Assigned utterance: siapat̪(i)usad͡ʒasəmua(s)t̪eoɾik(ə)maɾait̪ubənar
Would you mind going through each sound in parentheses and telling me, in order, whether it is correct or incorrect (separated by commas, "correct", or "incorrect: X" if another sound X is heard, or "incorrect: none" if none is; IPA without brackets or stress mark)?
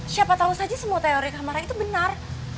incorrect: a, incorrect: none, incorrect: a